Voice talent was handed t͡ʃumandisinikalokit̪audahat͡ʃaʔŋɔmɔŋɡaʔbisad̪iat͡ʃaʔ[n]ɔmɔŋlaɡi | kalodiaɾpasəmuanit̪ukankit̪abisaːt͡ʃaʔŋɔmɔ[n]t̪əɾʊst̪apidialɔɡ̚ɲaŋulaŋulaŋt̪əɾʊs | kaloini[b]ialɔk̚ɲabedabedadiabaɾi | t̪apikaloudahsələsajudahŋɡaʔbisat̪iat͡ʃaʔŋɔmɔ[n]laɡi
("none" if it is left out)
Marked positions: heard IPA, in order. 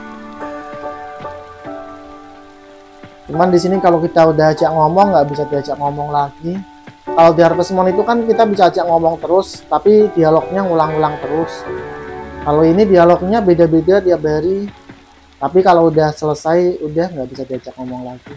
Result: ŋ, ŋ, d, ŋ

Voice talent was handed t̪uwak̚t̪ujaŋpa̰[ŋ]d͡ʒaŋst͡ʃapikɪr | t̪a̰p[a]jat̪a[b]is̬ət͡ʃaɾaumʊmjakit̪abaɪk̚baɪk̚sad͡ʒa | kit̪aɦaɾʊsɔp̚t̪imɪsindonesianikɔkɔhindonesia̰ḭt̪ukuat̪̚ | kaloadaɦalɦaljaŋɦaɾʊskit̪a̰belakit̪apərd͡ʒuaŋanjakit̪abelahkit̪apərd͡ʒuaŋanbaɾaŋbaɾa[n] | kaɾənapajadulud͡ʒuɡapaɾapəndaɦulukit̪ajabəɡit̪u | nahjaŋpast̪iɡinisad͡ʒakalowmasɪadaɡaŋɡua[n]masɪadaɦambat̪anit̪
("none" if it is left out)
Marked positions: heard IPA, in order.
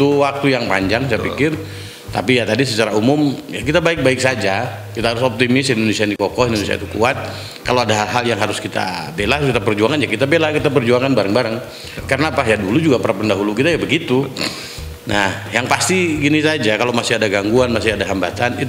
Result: ɲ, i, d, ŋ, n

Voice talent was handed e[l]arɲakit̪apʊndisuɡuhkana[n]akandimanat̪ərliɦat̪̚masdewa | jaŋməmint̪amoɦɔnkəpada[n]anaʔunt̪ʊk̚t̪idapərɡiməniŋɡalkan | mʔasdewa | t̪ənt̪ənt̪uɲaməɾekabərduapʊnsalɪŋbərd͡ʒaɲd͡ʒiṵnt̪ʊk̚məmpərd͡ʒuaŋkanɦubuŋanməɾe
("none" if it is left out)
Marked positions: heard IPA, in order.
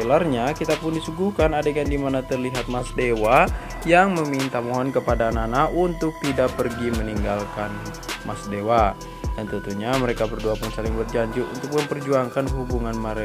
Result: l, d, n

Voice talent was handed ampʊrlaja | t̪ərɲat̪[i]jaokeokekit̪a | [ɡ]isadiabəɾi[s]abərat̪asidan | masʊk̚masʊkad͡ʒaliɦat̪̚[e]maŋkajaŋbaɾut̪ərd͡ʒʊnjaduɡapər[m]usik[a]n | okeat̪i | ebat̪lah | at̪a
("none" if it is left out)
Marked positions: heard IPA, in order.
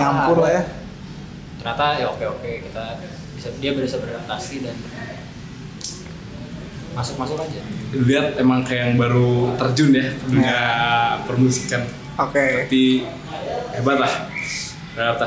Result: a, b, s, e, m, a

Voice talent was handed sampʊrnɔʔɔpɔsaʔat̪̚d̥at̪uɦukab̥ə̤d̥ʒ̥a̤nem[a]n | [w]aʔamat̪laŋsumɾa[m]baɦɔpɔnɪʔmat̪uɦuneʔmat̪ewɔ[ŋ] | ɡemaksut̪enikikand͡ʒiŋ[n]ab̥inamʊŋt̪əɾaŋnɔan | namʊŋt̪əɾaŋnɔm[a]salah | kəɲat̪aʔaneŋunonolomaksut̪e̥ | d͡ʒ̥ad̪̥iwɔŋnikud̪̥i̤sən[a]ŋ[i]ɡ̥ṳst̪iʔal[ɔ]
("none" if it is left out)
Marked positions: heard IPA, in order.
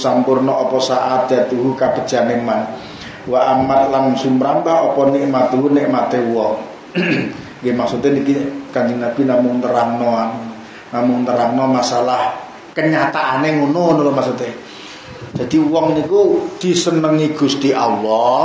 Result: a, w, m, ŋ, n, a, ə, i, ɔ

